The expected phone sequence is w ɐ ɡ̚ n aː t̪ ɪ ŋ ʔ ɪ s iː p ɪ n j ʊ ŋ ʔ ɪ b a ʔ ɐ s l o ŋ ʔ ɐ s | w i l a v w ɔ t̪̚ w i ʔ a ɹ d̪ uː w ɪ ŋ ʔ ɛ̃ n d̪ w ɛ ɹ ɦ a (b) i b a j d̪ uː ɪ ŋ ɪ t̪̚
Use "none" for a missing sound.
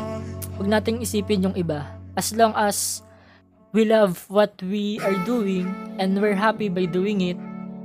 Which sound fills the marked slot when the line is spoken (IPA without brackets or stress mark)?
p